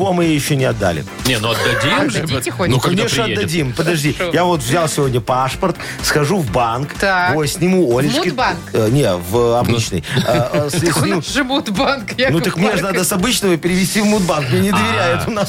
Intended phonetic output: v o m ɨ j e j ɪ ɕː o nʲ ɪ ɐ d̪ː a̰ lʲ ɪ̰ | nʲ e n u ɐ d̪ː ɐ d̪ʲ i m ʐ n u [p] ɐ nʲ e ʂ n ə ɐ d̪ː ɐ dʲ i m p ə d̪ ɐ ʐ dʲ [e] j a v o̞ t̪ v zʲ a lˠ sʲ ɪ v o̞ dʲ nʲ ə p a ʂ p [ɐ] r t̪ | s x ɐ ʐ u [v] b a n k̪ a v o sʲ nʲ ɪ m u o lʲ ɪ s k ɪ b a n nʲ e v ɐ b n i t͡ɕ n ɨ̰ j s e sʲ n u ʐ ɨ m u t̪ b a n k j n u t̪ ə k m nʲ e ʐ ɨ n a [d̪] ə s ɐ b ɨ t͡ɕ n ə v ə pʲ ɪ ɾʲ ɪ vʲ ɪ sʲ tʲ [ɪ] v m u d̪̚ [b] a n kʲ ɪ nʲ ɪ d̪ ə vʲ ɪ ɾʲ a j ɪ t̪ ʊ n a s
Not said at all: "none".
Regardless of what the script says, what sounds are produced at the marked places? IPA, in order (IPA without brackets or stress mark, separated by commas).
k, i, ə, v, d̪, i, b